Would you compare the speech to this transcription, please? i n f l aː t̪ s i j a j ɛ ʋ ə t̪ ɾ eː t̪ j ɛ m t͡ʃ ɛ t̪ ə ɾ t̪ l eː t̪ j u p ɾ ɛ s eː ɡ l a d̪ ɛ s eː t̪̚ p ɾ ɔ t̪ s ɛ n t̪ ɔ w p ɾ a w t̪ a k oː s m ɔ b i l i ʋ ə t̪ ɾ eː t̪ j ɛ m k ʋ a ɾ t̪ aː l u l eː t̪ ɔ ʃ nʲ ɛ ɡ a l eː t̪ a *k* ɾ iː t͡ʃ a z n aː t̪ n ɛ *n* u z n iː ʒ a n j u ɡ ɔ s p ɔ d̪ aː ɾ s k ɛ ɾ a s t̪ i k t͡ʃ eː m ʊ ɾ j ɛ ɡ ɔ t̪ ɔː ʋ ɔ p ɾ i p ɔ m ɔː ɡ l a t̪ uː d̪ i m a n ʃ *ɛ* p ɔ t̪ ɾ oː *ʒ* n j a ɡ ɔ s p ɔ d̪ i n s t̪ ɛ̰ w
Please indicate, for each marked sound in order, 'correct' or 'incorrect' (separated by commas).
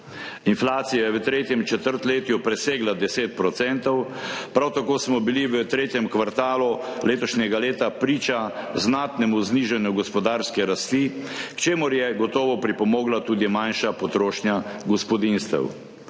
incorrect, incorrect, incorrect, incorrect